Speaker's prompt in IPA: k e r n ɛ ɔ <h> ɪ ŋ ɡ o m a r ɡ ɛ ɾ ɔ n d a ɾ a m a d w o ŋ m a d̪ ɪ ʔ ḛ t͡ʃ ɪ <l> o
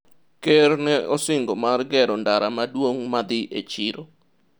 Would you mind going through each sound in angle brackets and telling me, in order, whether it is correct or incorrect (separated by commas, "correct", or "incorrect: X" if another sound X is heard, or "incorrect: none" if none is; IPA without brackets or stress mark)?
incorrect: s, incorrect: ɾ